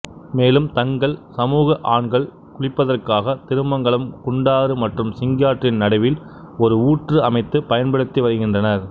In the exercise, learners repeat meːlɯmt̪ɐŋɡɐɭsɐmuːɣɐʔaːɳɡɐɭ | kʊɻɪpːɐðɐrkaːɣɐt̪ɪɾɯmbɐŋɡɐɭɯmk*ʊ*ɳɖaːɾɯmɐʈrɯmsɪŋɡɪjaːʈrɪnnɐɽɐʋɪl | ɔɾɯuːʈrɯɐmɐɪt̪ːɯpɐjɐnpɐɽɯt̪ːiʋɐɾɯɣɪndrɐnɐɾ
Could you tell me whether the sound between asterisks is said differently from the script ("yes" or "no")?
no